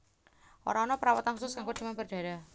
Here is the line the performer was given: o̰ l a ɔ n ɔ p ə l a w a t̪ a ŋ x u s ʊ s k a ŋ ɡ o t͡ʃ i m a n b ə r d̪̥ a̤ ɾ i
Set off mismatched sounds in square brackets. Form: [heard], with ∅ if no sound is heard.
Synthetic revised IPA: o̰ [ɾ] a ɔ n ɔ p ə [ɾ] a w a t̪ a [n] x u s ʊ s k a ŋ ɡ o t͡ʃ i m a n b ə r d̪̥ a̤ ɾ [a]

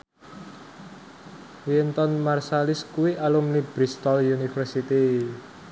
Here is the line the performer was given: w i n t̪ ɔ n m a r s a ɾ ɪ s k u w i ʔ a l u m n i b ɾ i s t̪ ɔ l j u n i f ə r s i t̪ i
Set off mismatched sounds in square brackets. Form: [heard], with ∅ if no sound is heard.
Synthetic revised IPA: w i n t̪ ɔ n m a r s a [l] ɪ s k u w i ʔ a l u m n i b ɾ i s t̪ ɔ l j u n i f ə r s i t̪ i

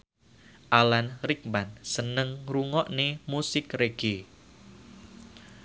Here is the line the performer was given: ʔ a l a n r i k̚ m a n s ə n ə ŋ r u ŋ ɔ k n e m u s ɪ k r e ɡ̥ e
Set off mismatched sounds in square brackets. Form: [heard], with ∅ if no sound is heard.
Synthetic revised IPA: ʔ a l a n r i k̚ m a n s ə n ə ŋ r u ŋ ɔ [ʔ] n e m u s ɪ k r e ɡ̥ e

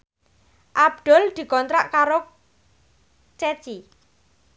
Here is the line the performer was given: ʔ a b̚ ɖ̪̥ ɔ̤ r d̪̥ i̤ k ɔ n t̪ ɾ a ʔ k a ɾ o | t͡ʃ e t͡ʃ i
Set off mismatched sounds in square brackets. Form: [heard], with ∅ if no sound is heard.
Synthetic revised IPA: ʔ a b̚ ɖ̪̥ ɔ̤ [l] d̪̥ i̤ k ɔ n t̪ ɾ a ʔ k a ɾ o | t͡ʃ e t͡ʃ i

